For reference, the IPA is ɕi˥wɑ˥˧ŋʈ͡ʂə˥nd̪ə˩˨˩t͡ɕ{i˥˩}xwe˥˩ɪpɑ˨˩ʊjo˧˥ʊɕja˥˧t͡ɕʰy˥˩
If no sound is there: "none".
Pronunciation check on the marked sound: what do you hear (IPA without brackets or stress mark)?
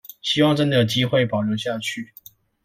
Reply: i˥